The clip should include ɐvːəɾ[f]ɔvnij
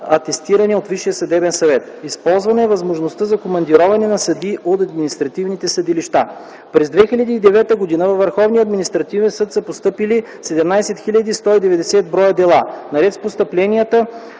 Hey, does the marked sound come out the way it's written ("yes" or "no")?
no